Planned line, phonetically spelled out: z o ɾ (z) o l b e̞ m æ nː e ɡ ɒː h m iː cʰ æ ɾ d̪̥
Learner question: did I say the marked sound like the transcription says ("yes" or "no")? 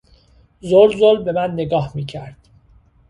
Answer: yes